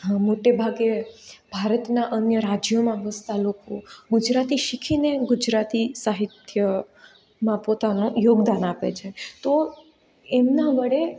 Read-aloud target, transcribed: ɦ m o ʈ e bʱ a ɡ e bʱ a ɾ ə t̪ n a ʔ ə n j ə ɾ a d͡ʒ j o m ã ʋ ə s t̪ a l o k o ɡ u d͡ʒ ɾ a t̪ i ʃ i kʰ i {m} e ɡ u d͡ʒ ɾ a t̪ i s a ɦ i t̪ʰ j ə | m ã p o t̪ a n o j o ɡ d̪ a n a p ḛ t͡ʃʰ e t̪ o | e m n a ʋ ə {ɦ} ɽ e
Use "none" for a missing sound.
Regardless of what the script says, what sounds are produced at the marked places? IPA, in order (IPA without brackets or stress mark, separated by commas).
n, none